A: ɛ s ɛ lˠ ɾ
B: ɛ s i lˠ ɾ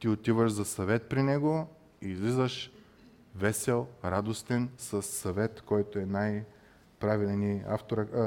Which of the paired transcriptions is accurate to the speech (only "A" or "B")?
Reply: A